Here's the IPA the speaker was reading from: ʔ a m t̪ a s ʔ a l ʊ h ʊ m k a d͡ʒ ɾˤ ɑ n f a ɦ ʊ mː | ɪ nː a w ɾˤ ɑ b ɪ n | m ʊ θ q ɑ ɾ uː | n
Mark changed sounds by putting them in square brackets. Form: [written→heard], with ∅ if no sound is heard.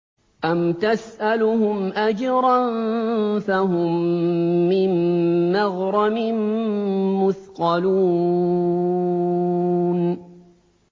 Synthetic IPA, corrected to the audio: ʔ a m t̪ a s ʔ a l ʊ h ʊ m [k→ʔ] a d͡ʒ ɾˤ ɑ n f a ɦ ʊ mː | ɪ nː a [w→ɣ] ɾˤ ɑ [b→m] ɪ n | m ʊ θ q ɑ [ɾ→l] uː | n

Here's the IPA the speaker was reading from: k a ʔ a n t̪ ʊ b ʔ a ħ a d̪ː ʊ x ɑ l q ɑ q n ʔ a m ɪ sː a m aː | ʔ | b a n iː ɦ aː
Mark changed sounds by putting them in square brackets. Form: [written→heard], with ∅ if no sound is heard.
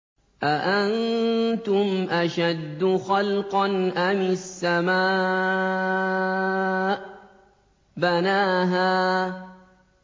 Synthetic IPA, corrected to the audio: [k→ʔ] a ʔ a n t̪ ʊ [b→m] ʔ a [ħ→ʃ] a d̪ː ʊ x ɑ l q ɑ [q→∅] n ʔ a m ɪ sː a m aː | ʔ | b a n [iː→aː] ɦ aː

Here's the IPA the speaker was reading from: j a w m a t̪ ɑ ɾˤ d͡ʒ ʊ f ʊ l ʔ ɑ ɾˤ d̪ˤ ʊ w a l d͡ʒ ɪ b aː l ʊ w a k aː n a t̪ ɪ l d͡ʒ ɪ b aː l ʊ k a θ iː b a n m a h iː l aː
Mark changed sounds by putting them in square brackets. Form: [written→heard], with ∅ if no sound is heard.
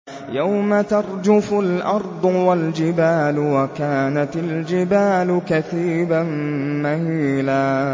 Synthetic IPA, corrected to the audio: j a w m a t̪ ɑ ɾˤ d͡ʒ ʊ f ʊ l ʔ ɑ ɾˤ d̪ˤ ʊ w a l d͡ʒ ɪ b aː l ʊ w a k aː n a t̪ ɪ l d͡ʒ ɪ b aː l ʊ k a θ iː b a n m a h iː l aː

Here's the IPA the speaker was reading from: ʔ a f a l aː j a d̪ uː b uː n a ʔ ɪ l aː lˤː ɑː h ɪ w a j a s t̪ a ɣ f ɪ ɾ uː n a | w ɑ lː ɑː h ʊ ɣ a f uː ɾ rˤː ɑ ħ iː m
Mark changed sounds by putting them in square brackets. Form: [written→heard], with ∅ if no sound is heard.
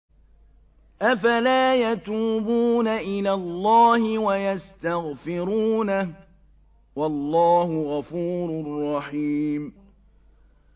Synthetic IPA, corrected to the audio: ʔ a f a l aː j a [d̪→t̪] uː b uː n a ʔ ɪ l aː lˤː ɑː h ɪ w a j a s t̪ a ɣ f ɪ ɾ uː n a | w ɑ lː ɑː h ʊ ɣ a f uː ɾ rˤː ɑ ħ iː m

